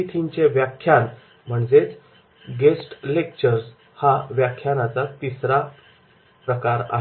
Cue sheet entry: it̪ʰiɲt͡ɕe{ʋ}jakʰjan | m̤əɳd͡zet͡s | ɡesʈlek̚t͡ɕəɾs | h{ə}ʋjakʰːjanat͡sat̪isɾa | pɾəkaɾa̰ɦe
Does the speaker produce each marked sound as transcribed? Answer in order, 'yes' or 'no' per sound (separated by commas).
yes, no